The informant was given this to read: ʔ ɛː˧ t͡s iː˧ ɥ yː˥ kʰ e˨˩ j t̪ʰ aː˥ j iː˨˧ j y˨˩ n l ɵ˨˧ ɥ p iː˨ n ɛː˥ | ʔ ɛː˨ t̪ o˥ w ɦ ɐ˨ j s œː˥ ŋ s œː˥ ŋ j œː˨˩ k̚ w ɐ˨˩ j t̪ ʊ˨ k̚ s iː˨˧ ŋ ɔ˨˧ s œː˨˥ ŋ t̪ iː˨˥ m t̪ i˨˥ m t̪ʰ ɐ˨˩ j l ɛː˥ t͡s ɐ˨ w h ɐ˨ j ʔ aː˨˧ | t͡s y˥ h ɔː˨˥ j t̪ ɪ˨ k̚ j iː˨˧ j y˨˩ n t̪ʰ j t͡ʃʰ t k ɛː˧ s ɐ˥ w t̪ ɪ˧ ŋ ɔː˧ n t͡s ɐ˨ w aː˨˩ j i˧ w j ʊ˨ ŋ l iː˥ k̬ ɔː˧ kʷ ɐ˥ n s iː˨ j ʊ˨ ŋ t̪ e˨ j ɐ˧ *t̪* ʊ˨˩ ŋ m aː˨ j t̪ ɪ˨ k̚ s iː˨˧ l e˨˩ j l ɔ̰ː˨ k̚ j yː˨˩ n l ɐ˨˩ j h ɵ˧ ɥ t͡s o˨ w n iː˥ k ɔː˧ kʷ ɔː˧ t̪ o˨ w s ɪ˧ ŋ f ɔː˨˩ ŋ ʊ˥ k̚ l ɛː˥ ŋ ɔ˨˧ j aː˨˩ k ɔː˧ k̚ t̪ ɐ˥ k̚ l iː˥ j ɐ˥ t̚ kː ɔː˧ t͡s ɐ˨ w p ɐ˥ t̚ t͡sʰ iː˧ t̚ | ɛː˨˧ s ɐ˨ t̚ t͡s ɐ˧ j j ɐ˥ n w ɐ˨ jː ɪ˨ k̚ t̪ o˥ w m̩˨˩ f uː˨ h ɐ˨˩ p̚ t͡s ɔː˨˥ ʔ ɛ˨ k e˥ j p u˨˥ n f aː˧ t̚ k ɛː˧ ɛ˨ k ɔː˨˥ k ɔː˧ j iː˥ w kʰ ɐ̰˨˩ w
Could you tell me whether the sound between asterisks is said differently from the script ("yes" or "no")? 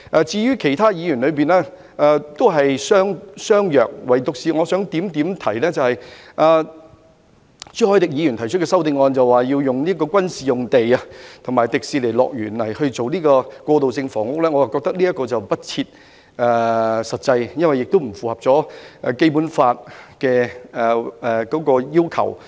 yes